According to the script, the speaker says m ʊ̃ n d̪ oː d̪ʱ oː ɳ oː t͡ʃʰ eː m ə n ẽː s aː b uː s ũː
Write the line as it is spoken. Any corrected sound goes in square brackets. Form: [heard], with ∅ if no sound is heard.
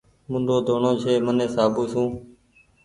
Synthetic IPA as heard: m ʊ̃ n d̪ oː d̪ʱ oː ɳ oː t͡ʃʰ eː m ə n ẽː s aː b uː s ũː